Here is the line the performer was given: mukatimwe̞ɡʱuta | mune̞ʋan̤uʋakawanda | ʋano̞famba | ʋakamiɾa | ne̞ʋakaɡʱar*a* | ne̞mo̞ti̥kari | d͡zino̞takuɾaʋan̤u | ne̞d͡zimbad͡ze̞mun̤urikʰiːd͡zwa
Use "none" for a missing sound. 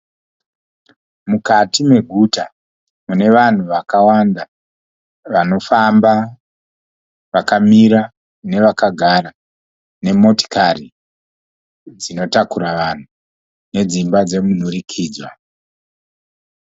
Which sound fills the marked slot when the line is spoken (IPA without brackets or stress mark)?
a